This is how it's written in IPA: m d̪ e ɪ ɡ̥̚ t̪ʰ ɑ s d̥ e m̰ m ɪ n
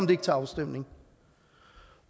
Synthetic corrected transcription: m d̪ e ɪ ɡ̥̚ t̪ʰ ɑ s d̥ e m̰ n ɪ ŋ